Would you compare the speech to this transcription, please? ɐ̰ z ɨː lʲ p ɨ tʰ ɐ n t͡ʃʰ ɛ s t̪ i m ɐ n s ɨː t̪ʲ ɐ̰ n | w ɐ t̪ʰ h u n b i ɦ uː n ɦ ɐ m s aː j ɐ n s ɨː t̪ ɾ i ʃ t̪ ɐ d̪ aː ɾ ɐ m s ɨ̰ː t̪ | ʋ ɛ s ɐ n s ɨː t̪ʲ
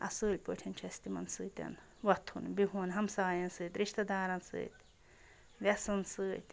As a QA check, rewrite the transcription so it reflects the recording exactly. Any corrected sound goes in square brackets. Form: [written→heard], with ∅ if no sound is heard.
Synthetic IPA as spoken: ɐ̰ [z→s] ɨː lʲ p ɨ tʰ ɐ n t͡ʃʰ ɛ s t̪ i m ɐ n s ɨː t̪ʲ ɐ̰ n | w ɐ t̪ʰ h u n b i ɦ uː n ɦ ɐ m s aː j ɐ n s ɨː t̪ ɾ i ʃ t̪ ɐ d̪ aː ɾ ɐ [m→n] s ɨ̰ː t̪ | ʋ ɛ s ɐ n s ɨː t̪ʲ